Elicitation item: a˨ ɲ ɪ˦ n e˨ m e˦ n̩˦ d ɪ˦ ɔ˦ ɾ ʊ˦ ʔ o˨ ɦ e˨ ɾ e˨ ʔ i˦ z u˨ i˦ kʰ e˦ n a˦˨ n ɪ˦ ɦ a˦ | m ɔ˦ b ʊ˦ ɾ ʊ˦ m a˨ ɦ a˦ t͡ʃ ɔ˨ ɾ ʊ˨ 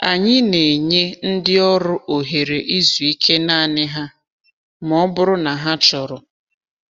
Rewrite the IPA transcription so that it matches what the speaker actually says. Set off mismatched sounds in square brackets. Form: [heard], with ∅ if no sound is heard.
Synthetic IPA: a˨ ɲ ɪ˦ n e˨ [ɲ] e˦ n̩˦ d ɪ˦ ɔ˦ ɾ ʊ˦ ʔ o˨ ɦ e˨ ɾ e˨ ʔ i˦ z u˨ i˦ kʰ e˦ n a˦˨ n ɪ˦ ɦ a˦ | m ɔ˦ b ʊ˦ ɾ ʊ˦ [n] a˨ ɦ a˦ t͡ʃ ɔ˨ ɾ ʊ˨